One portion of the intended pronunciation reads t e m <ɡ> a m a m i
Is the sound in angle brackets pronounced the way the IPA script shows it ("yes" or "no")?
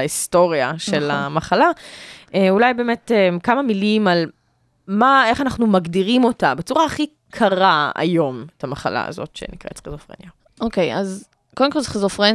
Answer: no